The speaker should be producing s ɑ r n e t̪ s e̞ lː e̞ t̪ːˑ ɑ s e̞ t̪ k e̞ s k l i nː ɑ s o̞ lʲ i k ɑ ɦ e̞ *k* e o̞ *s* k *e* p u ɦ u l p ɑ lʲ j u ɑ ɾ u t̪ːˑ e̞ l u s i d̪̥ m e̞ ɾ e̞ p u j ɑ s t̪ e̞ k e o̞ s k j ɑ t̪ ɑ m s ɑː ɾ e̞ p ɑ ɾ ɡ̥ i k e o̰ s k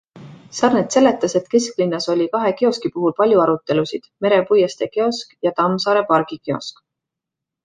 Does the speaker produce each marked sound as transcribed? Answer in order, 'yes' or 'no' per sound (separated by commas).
yes, yes, no